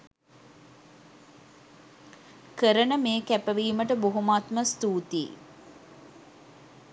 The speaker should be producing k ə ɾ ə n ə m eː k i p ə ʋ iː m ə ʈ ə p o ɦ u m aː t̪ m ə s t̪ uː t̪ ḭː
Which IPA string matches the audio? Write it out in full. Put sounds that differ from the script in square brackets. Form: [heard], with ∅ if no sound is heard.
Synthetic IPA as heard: k ə ɾ ə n ə m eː k [æ] p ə ʋ iː m ə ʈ ə [b] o ɦ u m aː t̪ m ə s t̪ uː t̪ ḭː